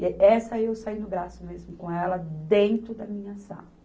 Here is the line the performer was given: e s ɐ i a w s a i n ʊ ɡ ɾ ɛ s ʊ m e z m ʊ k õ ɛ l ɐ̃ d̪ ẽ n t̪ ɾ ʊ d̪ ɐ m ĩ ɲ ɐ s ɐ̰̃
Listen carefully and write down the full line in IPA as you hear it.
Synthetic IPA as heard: ɛ s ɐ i e w s a i n ʊ ɡ ɾ a s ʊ m e z m ʊ k õ ɛ l ɐ d̪ ẽ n t̪ ɾ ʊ d̪ ɐ m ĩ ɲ ɐ s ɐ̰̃